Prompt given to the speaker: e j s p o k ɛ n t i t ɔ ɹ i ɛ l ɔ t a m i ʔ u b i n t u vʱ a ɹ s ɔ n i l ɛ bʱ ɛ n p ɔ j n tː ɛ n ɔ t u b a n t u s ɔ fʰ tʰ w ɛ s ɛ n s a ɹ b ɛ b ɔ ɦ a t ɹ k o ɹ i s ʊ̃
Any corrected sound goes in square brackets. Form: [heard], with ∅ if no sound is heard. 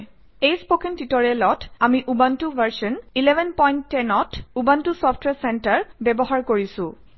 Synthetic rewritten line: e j s p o k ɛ n t i t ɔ ɹ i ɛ l ɔ t a m i ʔ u b [a] n t u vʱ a ɹ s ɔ n i l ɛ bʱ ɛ n p ɔ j n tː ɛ n ɔ t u b a n t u s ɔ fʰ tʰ w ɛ s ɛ n [t] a ɹ b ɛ b ɔ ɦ a [∅] ɹ k o ɹ i s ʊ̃